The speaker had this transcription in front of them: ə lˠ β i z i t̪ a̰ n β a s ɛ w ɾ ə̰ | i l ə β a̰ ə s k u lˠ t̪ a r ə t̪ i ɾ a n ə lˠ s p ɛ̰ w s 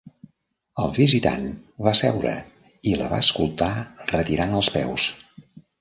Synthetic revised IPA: ə lˠ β i z i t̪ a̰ n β a s ɛ w ɾ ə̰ | i l ə β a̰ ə s k u lˠ t̪ a r ə t̪ i ɾ a n ə lˠ s p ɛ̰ w s